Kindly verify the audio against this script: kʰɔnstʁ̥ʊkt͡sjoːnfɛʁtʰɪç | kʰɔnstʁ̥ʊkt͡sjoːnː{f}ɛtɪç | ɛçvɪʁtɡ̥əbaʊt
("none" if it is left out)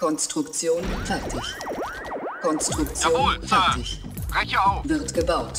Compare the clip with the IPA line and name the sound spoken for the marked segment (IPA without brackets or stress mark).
f